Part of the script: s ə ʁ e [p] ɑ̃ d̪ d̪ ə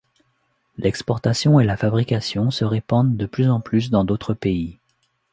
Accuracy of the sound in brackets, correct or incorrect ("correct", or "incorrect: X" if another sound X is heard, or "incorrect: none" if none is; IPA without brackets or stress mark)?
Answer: correct